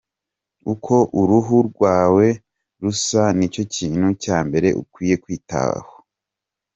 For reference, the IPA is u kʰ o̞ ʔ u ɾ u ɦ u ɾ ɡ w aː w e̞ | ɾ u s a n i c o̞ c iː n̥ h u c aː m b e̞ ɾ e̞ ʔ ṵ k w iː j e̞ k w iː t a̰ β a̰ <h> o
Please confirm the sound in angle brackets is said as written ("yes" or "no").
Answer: yes